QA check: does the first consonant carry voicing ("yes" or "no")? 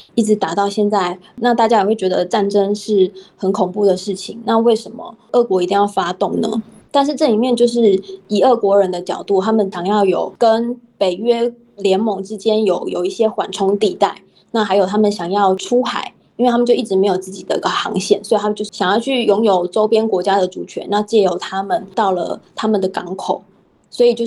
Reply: no